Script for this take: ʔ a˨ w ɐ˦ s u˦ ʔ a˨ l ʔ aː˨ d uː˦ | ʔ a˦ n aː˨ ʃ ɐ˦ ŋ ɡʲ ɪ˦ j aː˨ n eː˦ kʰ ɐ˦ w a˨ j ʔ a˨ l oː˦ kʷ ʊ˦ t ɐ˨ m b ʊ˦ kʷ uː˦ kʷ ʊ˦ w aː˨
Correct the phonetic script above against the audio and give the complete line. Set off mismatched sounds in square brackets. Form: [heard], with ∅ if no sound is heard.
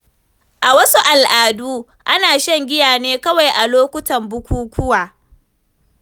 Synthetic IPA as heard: ʔ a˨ w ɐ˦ s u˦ ʔ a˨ l ʔ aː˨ d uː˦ | ʔ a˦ n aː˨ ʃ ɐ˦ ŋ ɡʲ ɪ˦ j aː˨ n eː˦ [k] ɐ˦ w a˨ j ʔ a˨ l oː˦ kʷ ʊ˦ t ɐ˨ m b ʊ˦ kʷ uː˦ kʷ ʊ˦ w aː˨